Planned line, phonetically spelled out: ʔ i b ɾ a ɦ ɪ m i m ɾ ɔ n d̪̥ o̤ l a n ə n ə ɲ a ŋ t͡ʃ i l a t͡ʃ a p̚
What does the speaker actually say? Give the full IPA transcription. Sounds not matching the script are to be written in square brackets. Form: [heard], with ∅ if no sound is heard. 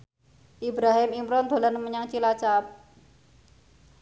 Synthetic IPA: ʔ i b ɾ a ɦ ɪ m i m ɾ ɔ n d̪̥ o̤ l a n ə [m] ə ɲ a ŋ t͡ʃ i l a t͡ʃ a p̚